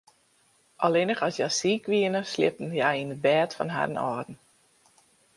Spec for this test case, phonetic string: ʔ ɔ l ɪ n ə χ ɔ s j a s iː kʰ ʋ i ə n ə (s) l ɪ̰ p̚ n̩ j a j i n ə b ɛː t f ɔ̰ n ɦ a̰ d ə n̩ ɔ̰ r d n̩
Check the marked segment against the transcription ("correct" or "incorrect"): correct